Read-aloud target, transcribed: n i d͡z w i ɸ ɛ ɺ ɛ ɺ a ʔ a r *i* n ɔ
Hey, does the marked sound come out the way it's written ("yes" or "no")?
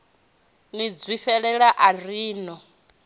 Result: no